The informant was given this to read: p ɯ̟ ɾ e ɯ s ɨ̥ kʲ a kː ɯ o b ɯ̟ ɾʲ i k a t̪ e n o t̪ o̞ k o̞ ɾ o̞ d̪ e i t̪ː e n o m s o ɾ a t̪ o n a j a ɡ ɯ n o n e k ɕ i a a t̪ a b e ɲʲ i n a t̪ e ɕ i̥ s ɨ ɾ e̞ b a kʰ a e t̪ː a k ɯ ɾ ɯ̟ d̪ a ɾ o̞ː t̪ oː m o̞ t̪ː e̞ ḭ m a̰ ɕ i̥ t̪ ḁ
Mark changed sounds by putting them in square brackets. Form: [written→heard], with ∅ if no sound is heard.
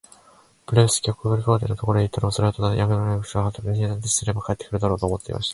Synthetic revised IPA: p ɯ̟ ɾ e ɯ s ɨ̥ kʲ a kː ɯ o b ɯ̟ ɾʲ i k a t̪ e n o t̪ o̞ k o̞ ɾ o̞ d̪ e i t̪ː [e→a] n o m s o ɾ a t̪ o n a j a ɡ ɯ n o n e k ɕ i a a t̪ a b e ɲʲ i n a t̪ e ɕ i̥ s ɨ ɾ e̞ b a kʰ a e t̪ː [a→e] k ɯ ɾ ɯ̟ d̪ a ɾ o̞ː t̪ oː m o̞ t̪ː e̞ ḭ m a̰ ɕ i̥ t̪ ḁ

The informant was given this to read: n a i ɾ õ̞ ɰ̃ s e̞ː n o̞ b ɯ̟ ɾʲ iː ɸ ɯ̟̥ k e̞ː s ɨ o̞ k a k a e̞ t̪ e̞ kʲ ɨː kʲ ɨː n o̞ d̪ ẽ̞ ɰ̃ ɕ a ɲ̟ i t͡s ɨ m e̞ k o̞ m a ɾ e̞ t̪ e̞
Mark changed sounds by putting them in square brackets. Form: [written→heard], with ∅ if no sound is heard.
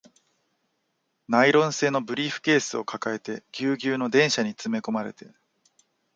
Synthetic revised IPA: n a i ɾ õ̞ ɰ̃ s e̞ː n o̞ b ɯ̟ ɾʲ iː ɸ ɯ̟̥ k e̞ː s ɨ o̞ k a k a e̞ t̪ e̞ [kʲ→ɡʲ] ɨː [kʲ→ɡʲ] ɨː n o̞ d̪ ẽ̞ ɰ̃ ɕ a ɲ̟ i t͡s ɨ m e̞ k o̞ m a ɾ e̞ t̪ e̞

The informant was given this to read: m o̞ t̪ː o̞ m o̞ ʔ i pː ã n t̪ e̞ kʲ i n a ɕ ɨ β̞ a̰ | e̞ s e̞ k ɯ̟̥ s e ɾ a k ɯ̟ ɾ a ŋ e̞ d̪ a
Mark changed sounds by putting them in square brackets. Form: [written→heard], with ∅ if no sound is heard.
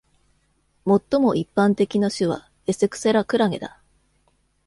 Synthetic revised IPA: m o̞ t̪ː o̞ m o̞ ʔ i pː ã n t̪ e̞ kʲ i n a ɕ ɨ β̞ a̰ | e̞ s e̞ k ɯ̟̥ s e ɾ a k ɯ̟ ɾ a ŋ e̞ d̪ a

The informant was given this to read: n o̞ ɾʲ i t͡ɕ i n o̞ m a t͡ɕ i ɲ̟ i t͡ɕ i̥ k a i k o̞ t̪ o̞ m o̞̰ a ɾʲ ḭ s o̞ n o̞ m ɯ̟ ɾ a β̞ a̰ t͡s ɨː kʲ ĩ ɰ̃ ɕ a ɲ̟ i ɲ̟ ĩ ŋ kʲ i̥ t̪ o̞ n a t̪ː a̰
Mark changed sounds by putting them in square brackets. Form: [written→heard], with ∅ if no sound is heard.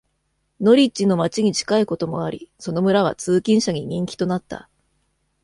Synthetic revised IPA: n o̞ ɾʲ i t͡ɕ i n o̞ m a t͡ɕ i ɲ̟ i t͡ɕ i̥ k a i k o̞ t̪ o̞ m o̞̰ a ɾʲ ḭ s o̞ n o̞ m ɯ̟ ɾ a β̞ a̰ t͡s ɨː kʲ ĩ ɰ̃ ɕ a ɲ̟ i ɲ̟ ĩ ŋ kʲ i̥ t̪ o̞ n a t̪ː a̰

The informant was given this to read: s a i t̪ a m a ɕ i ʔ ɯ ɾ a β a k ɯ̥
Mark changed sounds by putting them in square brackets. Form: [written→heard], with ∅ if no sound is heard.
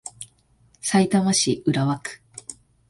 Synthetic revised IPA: s a i t̪ a m a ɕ i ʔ ɯ ɾ a β a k ɯ̥

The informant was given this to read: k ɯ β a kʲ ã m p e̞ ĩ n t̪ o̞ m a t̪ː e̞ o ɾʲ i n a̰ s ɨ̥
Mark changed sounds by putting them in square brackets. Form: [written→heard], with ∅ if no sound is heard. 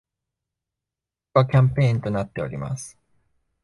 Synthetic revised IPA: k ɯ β a kʲ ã m p e̞ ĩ n t̪ o̞ [m→n] a t̪ː e̞ o ɾʲ i [n→m] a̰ s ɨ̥

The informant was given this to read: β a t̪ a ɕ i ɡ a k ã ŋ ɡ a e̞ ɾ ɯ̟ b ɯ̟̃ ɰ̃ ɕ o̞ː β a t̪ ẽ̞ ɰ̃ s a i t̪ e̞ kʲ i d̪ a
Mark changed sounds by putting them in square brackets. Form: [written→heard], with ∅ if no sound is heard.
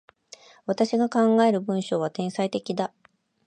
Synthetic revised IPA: β a t̪ a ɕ i ɡ a k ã ŋ ɡ a e̞ ɾ ɯ̟ b ɯ̟̃ ɰ̃ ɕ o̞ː β a t̪ ẽ̞ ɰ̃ s a i t̪ e̞ kʲ i d̪ a

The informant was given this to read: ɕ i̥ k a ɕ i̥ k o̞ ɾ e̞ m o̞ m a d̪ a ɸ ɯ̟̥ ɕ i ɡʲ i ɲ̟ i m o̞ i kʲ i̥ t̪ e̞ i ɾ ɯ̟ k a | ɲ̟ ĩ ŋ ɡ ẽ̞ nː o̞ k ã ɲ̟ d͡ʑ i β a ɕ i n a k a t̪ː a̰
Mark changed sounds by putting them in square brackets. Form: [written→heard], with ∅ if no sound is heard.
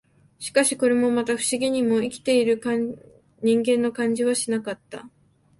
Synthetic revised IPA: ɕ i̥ k a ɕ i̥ k o̞ ɾ e̞ m o̞ m a [d̪→t̪] a ɸ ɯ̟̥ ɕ i ɡʲ i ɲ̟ i m o̞ i kʲ i̥ t̪ e̞ i ɾ ɯ̟ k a | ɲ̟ ĩ ŋ ɡ ẽ̞ nː o̞ k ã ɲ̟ d͡ʑ i β a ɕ i n a k a t̪ː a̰

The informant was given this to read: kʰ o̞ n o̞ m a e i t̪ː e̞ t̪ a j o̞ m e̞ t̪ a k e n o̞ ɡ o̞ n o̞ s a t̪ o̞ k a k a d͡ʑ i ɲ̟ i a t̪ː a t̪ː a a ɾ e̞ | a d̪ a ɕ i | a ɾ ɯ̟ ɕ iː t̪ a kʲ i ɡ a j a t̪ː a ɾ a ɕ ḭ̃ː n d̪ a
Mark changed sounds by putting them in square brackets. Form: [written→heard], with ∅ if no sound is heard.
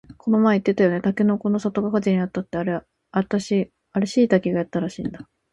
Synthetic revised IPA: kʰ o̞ n o̞ m a e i t̪ː e̞ t̪ a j o̞ [m→n] e̞ t̪ a k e n o̞ [ɡ→k] o̞ n o̞ s a t̪ o̞ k a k a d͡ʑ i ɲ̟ i a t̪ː a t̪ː [a→e] a ɾ e̞ | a [d̪→t̪] a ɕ i | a ɾ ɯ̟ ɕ iː t̪ a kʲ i ɡ a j a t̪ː a ɾ a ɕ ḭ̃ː n d̪ a

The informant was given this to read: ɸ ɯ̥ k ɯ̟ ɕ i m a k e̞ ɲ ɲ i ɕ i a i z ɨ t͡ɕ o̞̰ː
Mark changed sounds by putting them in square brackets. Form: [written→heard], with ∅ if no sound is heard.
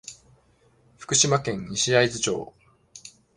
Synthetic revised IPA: ɸ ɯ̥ k ɯ̟ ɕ i m a k [e̞→ẽ̞] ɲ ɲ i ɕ i a i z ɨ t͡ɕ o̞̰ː

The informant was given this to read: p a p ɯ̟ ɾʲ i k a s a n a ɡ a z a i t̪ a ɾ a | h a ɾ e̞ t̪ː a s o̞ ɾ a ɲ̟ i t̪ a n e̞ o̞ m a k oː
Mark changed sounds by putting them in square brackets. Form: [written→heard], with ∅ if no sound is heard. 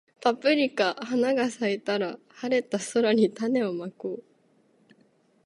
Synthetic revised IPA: p a p ɯ̟ ɾʲ i k a [s→h] a n a ɡ a [z→s] a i t̪ a ɾ a | h a ɾ e̞ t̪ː a s o̞ ɾ a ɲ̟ i t̪ a n e̞ o̞ m a k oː

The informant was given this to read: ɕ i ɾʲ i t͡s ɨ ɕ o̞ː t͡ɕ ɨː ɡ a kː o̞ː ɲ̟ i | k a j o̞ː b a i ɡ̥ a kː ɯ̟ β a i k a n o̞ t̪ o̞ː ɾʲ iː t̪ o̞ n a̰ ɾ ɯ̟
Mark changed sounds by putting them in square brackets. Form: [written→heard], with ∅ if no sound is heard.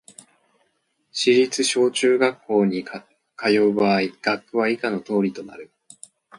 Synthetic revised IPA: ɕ i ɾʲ i t͡s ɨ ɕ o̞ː t͡ɕ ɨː ɡ a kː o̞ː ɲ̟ i | k a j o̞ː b a i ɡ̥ a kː ɯ̟ β a i k a n o̞ t̪ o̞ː ɾʲ [iː→i] t̪ o̞ n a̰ ɾ ɯ̟

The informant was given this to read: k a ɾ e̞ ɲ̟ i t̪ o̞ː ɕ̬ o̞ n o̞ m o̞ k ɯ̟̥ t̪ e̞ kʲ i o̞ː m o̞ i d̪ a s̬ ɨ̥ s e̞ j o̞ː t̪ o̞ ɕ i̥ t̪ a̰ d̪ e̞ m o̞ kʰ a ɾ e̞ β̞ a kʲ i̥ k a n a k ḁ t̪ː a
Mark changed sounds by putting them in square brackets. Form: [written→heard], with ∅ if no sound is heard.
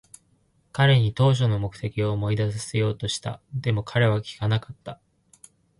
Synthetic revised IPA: k a ɾ e̞ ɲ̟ i t̪ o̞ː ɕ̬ o̞ n o̞ m o̞ k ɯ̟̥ t̪ e̞ kʲ i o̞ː m o̞ i d̪ a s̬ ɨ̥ s e̞ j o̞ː t̪ o̞ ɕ i̥ t̪ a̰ d̪ e̞ m o̞ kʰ a ɾ e̞ β̞ a kʲ i̥ k a n a k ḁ t̪ː a

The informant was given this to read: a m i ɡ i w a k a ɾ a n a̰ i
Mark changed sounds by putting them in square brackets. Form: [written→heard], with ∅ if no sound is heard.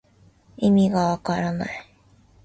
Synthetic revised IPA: [a→i] m i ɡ [i→a] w a k a ɾ a n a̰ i

